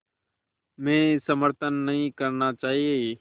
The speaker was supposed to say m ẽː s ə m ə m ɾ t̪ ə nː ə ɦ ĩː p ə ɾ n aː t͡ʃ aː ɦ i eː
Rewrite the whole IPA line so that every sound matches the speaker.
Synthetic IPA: m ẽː s ə m ə ɾ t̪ ə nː ə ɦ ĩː k ə ɾ n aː t͡ʃ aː ɦ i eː